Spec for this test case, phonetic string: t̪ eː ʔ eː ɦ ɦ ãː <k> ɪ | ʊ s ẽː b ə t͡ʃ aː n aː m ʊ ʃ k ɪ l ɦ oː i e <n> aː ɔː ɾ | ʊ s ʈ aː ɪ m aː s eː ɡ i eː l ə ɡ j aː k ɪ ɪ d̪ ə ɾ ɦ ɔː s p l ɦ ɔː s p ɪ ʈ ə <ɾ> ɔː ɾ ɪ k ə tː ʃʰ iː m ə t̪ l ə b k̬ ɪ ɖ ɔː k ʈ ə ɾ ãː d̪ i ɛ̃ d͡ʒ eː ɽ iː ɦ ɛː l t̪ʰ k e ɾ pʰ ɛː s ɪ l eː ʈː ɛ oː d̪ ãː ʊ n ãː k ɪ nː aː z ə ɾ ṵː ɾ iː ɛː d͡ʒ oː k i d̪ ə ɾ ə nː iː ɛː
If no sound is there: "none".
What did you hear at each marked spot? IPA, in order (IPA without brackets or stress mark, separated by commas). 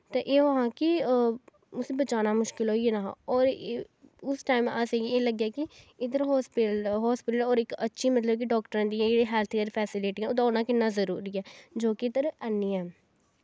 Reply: k, n, l